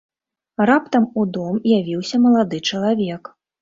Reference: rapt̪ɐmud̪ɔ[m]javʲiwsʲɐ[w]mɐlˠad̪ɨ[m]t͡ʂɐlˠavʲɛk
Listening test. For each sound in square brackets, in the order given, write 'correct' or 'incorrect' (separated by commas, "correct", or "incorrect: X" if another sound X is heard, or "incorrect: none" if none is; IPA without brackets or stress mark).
correct, incorrect: none, incorrect: none